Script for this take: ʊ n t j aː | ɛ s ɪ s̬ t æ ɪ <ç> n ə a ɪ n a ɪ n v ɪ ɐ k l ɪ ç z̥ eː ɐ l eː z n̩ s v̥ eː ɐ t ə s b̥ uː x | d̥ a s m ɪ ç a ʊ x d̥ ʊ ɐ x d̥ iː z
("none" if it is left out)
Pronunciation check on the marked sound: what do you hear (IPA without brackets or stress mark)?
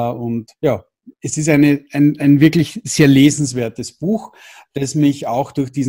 none